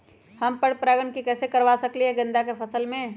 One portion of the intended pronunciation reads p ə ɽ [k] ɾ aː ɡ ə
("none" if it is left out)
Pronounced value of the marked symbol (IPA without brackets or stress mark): p